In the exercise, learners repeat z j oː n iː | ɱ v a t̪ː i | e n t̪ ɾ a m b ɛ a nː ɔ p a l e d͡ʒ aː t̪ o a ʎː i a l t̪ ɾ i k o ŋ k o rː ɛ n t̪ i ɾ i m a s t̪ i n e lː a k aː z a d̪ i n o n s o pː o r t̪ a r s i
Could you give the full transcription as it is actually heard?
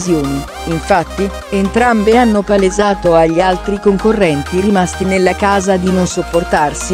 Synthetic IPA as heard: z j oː n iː | ɱ f a t̪ː i | e n t̪ ɾ a m b e a nː o p a l e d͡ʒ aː t̪ o a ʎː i a l t̪ ɾ i k o ŋ k o rː ɛ n t̪ i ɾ i m a s t̪ i n e lː a k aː z a d̪ i n o n s o pː o r t̪ a r s i